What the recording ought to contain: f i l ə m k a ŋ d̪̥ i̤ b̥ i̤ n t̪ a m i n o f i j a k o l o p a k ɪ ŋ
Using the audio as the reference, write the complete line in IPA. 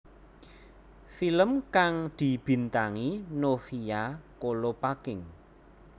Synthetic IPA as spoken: f i l ə m k a ŋ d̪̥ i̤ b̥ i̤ n t̪ a ŋ i n o f i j a k o l o p a k ɪ ŋ